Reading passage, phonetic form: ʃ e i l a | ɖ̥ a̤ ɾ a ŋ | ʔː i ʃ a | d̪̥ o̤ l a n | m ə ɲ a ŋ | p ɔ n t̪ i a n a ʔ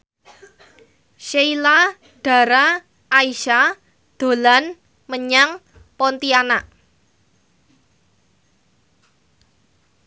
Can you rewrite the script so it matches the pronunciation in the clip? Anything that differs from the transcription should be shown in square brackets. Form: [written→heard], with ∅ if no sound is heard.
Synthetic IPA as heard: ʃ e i l a | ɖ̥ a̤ ɾ a [ŋ→∅] | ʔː i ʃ a | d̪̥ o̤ l a n | m ə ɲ a ŋ | p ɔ n t̪ i a n a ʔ